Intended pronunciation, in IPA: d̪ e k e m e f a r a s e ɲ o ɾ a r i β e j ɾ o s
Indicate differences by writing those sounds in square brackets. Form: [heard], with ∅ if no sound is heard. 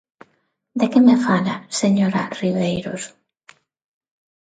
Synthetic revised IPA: d̪ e k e m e f a [l] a s e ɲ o ɾ a r i β e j ɾ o s